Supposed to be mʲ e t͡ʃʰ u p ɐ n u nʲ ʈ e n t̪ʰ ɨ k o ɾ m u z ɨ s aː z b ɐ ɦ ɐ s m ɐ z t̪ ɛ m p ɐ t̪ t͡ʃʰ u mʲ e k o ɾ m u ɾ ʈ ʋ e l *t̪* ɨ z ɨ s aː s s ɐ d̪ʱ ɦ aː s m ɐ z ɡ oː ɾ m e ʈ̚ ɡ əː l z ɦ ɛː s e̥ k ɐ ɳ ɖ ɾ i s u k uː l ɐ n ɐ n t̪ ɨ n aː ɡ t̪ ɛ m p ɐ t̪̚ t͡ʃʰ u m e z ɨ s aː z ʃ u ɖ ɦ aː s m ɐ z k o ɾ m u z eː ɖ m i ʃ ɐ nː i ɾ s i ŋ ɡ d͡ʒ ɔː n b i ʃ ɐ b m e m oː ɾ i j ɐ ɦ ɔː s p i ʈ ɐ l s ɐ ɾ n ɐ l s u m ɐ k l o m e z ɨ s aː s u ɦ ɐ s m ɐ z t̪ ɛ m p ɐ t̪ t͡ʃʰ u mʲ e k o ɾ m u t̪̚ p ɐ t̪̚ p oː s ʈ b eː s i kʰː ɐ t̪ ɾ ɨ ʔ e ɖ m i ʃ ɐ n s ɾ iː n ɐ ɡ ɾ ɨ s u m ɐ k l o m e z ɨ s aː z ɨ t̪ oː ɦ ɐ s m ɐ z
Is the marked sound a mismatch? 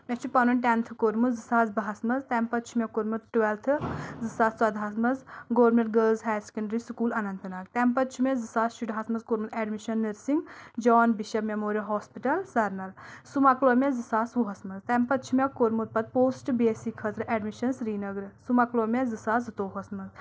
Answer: yes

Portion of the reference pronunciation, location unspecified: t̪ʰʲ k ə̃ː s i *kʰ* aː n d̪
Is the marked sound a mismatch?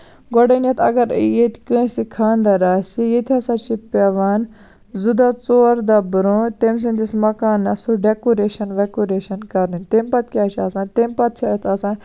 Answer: no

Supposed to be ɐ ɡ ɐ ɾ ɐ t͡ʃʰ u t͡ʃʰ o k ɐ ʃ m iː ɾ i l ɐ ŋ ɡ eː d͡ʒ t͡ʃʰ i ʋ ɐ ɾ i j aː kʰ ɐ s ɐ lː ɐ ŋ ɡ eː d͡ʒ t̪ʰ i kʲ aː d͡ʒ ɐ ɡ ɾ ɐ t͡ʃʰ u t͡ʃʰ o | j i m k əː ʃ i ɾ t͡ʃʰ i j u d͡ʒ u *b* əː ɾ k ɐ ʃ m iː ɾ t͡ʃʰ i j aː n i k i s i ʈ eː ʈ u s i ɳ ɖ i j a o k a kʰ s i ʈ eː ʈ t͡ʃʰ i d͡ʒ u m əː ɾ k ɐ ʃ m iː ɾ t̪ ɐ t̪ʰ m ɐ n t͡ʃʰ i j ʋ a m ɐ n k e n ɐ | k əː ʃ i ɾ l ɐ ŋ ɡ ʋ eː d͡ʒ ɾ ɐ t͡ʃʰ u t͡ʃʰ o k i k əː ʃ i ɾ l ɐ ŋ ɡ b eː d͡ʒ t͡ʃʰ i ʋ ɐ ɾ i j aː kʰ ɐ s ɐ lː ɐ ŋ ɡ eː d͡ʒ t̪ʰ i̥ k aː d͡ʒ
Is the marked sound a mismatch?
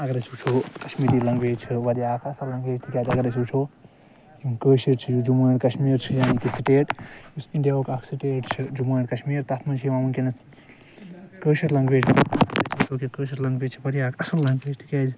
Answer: yes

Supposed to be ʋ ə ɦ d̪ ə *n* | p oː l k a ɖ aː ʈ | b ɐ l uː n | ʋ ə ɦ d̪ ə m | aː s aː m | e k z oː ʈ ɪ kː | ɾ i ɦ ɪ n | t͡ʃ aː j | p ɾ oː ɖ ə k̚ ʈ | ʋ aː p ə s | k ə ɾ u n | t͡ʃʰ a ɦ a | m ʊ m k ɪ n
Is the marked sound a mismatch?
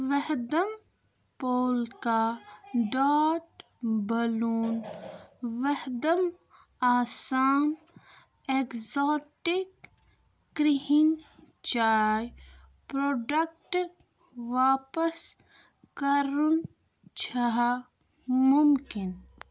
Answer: yes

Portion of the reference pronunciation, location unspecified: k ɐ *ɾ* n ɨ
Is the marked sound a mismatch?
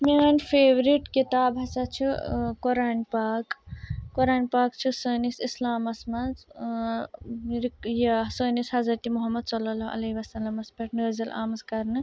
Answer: no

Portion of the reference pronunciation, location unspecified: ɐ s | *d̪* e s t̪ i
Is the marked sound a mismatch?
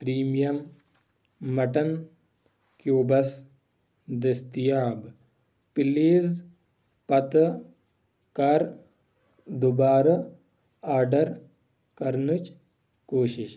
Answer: no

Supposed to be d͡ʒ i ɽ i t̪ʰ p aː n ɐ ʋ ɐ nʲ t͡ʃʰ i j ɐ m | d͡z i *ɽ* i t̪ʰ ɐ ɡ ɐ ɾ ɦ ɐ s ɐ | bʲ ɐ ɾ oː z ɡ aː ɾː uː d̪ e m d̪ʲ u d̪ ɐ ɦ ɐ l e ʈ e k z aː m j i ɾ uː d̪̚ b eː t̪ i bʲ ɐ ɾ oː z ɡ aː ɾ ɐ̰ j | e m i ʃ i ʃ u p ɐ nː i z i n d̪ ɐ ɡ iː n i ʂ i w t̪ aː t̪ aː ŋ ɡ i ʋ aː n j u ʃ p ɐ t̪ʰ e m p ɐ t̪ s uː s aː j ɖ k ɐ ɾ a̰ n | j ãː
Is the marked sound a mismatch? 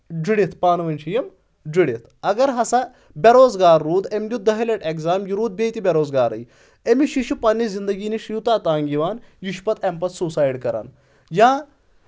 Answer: no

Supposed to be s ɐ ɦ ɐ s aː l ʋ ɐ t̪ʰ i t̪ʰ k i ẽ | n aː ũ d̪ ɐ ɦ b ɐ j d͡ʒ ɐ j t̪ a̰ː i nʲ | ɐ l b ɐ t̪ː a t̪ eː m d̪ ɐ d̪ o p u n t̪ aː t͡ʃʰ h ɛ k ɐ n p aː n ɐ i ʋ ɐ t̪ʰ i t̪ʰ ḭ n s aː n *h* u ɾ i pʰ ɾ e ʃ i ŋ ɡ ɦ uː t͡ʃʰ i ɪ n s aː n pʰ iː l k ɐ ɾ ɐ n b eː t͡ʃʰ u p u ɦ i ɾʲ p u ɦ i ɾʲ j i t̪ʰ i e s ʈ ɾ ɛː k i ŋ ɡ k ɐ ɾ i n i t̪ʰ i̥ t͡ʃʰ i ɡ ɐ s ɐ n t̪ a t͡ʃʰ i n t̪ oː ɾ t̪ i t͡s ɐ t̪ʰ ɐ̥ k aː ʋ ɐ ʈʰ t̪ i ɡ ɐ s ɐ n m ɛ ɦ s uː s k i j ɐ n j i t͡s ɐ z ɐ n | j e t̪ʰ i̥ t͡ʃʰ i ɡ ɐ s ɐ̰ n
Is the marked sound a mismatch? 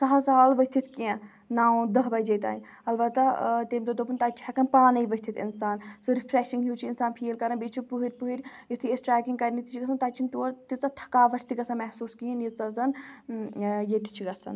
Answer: yes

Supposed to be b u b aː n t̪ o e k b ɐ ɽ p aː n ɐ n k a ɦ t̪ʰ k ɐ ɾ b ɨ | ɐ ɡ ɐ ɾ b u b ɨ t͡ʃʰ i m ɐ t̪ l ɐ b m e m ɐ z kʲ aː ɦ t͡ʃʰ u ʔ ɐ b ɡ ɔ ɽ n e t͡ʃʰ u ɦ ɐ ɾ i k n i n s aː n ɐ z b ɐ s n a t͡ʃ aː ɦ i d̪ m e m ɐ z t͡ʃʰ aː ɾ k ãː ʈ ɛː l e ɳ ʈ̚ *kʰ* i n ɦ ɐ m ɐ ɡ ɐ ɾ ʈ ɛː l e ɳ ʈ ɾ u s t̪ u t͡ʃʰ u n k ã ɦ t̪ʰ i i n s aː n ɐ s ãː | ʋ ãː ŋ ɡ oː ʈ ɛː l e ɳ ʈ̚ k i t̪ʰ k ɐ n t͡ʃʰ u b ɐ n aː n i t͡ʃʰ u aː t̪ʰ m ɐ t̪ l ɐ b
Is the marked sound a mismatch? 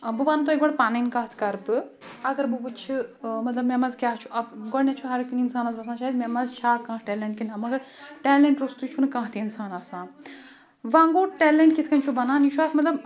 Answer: yes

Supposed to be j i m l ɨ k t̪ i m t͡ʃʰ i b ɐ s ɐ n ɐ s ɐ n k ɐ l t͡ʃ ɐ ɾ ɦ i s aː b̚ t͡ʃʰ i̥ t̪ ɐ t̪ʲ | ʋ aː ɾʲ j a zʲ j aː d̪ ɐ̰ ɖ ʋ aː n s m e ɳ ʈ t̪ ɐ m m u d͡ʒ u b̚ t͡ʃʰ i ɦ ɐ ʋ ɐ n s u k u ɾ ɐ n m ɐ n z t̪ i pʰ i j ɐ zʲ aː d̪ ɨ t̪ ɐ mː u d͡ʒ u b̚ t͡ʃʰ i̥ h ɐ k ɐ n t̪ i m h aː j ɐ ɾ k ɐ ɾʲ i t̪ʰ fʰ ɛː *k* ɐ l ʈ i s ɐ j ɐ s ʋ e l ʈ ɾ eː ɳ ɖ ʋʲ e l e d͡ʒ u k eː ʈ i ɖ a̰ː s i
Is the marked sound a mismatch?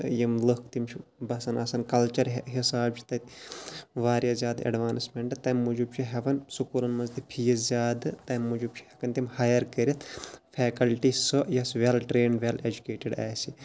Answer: no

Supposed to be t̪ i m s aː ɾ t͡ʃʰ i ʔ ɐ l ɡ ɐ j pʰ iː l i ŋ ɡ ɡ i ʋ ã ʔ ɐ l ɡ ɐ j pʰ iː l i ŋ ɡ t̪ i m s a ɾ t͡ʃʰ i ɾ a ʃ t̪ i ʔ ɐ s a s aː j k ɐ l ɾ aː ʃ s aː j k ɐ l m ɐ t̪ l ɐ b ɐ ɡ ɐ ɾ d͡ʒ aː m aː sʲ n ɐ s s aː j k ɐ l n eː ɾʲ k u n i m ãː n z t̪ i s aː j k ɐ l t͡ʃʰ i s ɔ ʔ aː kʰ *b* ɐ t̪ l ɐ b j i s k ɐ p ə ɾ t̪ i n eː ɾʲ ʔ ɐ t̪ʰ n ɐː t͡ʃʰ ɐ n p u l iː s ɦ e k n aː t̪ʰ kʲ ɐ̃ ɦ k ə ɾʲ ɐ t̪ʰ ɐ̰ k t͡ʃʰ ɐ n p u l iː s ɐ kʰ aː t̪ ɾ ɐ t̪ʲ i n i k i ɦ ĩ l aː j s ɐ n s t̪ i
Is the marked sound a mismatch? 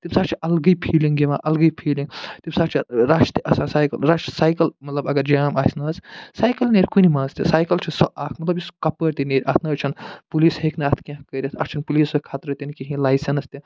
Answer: yes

